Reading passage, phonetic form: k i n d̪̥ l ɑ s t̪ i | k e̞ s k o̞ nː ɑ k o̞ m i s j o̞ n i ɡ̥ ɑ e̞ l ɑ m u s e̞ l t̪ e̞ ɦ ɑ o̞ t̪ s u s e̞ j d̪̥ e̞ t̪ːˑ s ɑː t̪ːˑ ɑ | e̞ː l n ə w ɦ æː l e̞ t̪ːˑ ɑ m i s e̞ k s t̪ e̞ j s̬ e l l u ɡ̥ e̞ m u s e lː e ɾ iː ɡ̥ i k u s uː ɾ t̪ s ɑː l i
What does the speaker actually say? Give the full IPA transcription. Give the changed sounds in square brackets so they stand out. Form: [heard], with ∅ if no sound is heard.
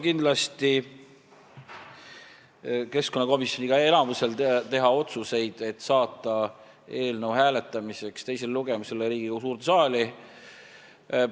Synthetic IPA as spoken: k i n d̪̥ l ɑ s t̪ i | k e̞ s k o̞ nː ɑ k o̞ m i s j o̞ n i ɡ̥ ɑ e̞ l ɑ m u s e̞ l t̪ e̞ ɦ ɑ o̞ t̪ s u s e̞ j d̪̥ e̞ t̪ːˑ s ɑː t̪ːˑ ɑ | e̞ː l n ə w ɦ æː l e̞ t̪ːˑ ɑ m i s e̞ k s t̪ e̞ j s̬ e l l u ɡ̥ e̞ m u s e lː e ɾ iː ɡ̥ i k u s uː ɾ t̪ s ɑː l i